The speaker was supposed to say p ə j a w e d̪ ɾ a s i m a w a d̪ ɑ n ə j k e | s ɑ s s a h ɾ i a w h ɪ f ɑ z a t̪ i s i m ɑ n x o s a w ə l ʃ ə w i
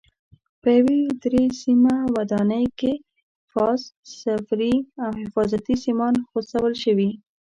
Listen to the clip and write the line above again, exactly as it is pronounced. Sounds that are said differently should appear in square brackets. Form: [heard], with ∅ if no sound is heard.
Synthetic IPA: p ə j a w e d̪ ɾ [e] s i m a w a d̪ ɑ n ə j k e | [f] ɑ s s a [f] ɾ i a w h ɪ f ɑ z a t̪ i s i m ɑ n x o s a w ə l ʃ ə w i